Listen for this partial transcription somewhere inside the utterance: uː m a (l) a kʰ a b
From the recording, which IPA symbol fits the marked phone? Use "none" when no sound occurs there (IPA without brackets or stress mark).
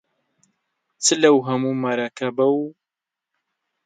ɾ